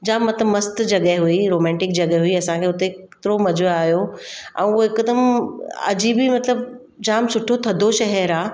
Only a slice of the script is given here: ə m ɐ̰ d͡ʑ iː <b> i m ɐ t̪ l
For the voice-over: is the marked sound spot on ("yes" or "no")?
yes